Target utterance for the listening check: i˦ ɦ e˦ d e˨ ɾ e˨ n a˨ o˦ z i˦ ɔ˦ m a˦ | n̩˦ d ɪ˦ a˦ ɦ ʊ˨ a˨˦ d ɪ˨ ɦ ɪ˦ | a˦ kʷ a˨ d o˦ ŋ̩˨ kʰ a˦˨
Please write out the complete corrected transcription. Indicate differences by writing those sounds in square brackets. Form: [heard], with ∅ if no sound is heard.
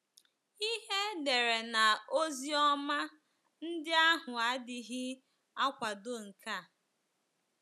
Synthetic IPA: i˦ ɦ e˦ d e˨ ɾ e˨ n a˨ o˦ z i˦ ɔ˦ m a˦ | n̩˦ d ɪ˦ a˦ ɦ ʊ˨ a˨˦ d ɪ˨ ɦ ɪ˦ | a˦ kʷ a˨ d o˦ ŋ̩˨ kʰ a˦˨